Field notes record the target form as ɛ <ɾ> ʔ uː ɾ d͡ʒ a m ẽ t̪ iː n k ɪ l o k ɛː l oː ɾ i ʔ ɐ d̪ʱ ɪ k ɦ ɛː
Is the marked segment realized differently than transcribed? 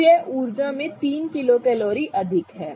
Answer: yes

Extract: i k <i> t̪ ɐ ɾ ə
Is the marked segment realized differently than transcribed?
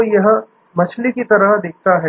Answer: no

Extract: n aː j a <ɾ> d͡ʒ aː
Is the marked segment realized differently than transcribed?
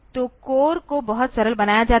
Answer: yes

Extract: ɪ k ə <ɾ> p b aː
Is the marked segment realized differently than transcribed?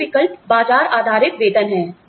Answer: yes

